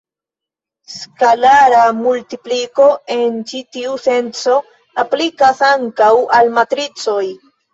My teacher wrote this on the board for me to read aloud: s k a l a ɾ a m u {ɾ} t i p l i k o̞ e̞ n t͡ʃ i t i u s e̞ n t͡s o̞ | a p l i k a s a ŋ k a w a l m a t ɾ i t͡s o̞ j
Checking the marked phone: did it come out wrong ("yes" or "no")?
yes